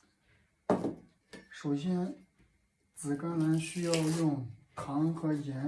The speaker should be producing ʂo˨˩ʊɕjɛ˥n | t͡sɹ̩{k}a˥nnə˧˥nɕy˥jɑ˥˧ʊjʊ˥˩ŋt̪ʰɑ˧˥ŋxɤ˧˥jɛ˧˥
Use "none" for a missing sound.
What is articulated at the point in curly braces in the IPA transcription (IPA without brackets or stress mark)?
k